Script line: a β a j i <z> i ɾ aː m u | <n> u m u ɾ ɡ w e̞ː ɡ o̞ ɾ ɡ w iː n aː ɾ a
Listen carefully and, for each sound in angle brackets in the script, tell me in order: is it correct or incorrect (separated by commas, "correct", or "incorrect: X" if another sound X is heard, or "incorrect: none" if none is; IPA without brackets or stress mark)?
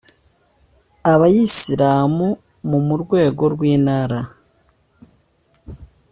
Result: incorrect: s, incorrect: m